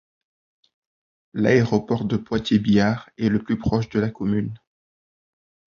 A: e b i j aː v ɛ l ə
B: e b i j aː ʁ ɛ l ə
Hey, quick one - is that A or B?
B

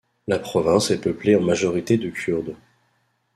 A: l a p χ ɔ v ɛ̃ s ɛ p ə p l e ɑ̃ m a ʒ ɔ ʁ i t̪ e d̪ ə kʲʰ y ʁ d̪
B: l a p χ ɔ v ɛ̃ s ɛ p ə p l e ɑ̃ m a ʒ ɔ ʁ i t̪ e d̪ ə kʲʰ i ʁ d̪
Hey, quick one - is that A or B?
A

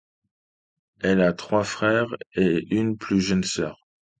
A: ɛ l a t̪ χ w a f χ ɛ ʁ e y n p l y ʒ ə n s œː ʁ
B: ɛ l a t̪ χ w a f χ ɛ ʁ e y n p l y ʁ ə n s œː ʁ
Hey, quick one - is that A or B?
A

